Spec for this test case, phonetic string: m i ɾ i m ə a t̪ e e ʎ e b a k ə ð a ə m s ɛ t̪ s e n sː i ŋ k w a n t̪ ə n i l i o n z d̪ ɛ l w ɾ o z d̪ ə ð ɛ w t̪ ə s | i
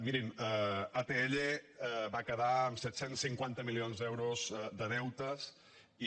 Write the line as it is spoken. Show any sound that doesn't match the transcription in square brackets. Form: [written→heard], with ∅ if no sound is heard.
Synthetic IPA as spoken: m i ɾ i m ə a t̪ e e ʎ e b a k ə ð a ə m s ɛ t̪ s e n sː i ŋ k w a n t̪ ə [n→m] i l i o n z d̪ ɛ [l→∅] w ɾ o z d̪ ə ð ɛ w t̪ ə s | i